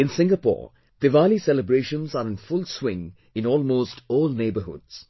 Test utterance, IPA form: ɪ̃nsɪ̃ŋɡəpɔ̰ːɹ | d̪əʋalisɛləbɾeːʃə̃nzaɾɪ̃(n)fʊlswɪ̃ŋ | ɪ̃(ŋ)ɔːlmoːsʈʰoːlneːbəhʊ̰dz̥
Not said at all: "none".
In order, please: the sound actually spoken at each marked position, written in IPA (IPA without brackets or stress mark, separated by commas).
n, n